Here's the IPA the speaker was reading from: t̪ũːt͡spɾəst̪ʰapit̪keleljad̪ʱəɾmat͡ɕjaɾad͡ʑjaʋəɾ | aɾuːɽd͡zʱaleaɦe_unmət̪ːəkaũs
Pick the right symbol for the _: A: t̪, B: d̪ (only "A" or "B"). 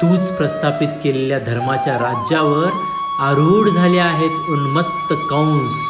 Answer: A